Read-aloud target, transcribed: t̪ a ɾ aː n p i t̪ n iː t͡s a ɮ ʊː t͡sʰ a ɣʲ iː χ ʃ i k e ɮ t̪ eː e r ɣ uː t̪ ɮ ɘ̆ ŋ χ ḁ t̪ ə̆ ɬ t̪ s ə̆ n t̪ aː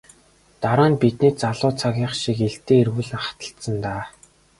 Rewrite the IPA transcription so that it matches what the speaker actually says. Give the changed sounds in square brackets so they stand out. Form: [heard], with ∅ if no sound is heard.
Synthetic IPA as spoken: t̪ a ɾ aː n p i t̪ n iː t͡s a ɮ ʊː t͡sʰ a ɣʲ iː χ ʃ i k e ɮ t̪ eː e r ɣ uː [∅] ɮ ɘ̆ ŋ χ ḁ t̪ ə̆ ɬ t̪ s ə̆ n t̪ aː